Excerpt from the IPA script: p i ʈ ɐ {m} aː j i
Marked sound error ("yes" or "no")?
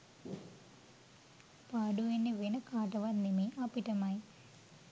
no